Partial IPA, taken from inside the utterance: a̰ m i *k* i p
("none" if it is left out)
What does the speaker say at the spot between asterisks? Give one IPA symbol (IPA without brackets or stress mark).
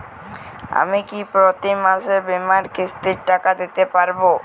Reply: k